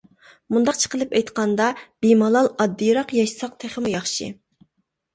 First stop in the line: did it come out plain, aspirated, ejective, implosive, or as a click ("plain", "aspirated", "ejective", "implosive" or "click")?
plain